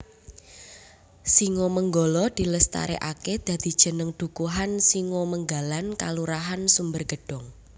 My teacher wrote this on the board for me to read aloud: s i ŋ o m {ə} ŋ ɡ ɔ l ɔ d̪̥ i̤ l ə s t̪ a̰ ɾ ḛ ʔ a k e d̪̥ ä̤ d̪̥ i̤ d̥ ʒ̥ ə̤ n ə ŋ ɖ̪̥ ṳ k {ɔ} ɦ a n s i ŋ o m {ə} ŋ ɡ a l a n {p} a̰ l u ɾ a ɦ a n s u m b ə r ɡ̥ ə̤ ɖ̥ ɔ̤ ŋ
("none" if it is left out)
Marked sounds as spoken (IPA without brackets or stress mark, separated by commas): ə, u, ə, k